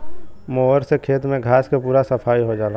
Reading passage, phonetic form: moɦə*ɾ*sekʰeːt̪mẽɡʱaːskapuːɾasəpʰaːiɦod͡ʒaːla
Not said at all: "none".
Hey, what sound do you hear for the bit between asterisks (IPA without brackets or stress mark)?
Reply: ɾ